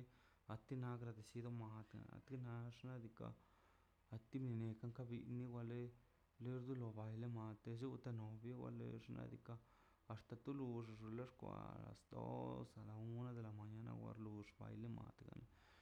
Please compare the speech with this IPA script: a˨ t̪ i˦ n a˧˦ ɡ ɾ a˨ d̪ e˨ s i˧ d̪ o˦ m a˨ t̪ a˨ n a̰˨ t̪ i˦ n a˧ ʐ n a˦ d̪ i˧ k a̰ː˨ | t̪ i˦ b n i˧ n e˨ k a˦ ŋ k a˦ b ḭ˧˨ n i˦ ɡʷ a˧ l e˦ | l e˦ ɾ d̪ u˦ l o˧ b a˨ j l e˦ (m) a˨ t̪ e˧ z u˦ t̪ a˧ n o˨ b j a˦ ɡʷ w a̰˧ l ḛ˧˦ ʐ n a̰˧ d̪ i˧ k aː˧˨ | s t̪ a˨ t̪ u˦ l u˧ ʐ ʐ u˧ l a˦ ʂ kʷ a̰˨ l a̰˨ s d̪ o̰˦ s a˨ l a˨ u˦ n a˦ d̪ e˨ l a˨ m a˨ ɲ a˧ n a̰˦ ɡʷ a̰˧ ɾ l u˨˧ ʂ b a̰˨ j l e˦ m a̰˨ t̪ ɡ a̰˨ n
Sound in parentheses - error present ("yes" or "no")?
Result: no